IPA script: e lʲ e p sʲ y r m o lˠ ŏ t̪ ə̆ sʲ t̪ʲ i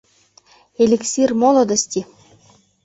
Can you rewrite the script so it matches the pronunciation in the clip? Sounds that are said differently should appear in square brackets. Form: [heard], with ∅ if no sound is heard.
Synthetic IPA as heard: e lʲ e [k] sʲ [i] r m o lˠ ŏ [d̪] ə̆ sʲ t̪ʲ i